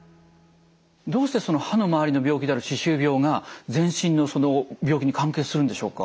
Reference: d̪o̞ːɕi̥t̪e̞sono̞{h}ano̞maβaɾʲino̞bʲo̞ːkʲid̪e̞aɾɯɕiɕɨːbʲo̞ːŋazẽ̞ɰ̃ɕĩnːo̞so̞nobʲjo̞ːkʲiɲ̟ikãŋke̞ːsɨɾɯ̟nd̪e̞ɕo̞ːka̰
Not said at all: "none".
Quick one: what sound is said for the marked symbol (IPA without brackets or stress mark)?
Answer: h